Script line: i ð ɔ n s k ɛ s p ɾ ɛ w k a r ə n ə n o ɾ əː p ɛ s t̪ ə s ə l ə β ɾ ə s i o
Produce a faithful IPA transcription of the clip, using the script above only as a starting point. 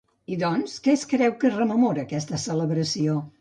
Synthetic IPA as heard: i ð ɔ n s k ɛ s k ɾ ɛ w k ə r ə m ə m o ɾ əː k ɛ s t̪ ə s ə l ə β ɾ ə s i o